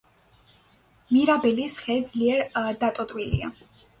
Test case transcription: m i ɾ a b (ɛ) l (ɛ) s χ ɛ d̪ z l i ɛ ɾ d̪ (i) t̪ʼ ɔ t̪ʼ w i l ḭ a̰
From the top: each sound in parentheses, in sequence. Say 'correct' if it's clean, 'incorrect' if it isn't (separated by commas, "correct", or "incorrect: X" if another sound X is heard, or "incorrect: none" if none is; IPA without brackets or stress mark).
correct, incorrect: i, incorrect: a